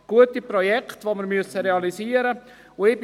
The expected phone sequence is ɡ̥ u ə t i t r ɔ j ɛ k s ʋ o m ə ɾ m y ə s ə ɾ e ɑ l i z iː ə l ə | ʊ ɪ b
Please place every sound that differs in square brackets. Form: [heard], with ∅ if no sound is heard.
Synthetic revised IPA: ɡ̥ u ə t i [p] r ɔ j ɛ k [t] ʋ o m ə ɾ m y ə s ə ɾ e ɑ l i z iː ə [ɾ] ə | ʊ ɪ b